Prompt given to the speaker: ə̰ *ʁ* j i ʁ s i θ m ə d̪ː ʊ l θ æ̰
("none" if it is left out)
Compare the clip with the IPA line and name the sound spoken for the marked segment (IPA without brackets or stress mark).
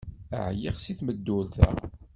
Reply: ʕ